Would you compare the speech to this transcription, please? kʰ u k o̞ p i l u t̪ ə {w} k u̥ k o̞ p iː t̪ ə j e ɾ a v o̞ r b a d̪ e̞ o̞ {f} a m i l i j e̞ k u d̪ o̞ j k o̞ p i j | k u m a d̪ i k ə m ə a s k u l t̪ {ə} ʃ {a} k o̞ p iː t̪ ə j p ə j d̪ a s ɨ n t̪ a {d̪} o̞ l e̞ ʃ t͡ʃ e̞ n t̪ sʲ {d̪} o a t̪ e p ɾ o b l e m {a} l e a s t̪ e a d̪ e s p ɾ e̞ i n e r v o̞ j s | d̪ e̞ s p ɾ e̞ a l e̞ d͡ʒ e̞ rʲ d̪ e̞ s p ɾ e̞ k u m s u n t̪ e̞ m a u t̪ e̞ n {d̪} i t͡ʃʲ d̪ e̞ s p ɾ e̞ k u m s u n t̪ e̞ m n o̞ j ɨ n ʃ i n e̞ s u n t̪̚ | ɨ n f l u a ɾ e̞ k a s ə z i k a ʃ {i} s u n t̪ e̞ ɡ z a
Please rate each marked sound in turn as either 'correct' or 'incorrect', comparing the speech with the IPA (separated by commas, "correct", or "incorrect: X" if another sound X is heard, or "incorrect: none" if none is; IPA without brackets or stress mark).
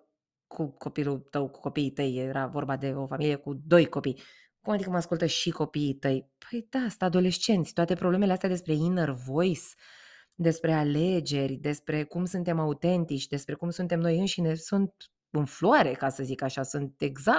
correct, correct, correct, incorrect: i, correct, incorrect: t̪, incorrect: e, incorrect: t̪, incorrect: a